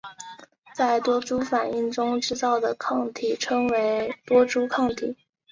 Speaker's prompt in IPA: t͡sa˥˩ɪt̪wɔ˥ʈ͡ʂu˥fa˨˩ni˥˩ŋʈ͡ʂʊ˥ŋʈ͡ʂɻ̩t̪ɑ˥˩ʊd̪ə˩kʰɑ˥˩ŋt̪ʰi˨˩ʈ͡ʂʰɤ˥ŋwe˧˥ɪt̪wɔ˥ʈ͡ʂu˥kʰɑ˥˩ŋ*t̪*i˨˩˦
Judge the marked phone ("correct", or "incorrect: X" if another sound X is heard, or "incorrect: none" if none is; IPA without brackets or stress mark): incorrect: t̪ʰ